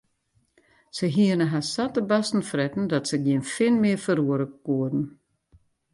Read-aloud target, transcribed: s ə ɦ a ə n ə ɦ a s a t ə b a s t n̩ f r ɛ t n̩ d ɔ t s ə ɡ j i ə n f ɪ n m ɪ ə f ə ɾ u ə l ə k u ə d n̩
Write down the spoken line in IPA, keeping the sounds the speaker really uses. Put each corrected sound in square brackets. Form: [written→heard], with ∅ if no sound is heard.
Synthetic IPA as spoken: s ə ɦ [a→i] ə n ə ɦ a s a t ə b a s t n̩ f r ɛ t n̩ d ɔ t s ə ɡ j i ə n f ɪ n m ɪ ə f ə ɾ u ə [l→ɾ] ə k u ə d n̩